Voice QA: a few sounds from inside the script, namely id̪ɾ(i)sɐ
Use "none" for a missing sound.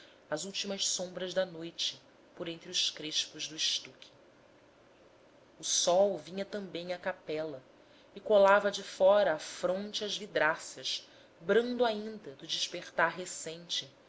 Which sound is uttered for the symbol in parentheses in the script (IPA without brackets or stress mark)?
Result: a